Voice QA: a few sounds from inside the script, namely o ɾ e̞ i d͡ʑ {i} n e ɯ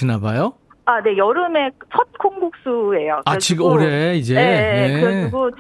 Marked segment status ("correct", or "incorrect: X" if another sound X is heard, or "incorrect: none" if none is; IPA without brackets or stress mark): incorrect: e